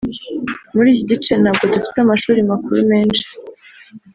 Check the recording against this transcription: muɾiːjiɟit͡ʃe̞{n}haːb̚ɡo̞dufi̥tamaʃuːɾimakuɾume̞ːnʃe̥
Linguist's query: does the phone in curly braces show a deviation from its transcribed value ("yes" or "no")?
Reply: no